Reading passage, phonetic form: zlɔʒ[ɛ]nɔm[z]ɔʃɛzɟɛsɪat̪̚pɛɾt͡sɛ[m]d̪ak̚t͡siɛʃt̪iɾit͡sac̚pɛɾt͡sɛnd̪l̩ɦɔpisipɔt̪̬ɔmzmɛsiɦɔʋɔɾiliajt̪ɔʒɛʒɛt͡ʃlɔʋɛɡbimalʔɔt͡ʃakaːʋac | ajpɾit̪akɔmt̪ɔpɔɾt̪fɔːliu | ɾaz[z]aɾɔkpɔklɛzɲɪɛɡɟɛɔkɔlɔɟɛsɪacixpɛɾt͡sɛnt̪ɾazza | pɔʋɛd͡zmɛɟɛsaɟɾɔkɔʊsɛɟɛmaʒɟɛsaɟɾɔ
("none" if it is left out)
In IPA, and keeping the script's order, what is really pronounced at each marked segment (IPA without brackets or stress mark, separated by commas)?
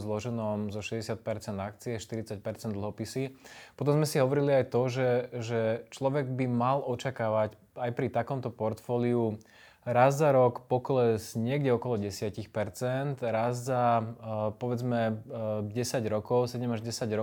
ɛ, z, n, z